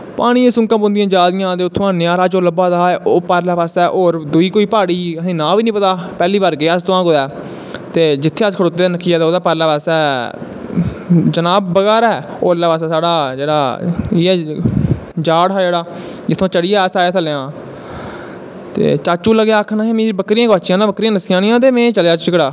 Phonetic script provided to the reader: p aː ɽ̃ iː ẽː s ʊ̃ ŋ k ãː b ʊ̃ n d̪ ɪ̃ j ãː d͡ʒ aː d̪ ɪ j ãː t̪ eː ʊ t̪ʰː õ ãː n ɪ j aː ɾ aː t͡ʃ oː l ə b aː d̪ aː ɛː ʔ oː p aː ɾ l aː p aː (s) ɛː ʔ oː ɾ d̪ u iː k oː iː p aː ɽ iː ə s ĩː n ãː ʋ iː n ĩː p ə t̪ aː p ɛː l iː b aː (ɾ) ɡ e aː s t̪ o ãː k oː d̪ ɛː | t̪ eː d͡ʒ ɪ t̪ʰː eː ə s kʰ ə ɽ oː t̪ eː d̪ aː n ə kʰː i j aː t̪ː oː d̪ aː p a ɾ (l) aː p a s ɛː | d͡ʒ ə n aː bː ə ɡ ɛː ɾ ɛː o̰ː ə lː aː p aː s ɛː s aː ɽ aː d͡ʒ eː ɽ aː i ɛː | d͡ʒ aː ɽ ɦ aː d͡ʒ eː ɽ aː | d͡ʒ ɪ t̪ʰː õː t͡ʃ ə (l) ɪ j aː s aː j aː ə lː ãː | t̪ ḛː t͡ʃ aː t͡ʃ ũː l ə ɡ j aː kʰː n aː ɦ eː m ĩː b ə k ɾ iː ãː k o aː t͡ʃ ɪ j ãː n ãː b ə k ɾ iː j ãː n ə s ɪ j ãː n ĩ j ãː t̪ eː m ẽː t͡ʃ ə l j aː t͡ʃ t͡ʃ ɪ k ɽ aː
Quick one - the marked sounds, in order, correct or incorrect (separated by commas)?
correct, correct, correct, incorrect